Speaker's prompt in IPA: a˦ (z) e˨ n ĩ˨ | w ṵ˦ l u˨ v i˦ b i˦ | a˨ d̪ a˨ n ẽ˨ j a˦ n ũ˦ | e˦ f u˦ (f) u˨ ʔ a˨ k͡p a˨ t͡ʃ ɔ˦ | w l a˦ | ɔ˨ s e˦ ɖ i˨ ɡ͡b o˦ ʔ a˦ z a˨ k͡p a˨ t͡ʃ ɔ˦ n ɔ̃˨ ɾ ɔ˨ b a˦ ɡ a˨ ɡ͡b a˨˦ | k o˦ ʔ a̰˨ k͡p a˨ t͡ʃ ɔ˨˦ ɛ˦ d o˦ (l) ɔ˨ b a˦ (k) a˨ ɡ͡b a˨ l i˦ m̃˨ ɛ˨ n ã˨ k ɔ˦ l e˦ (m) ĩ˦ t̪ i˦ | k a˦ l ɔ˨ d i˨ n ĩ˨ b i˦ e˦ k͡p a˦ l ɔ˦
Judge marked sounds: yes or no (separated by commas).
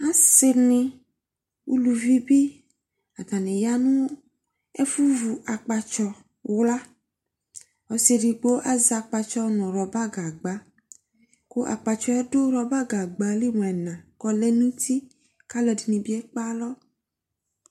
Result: no, no, no, no, no